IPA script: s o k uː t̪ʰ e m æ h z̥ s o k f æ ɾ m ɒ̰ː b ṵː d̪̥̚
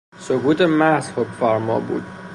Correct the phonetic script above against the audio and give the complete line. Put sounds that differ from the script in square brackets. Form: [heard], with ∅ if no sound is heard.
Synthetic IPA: s o k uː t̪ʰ e m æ h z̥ [h] o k f æ ɾ m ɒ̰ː b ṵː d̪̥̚